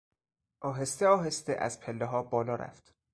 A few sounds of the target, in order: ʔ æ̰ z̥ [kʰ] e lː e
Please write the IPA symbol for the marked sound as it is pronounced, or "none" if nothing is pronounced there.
pʰ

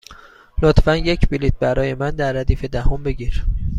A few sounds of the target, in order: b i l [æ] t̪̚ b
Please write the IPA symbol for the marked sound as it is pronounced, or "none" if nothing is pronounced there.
i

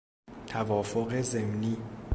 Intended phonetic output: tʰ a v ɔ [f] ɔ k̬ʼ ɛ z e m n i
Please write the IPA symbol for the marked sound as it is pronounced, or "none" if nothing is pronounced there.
f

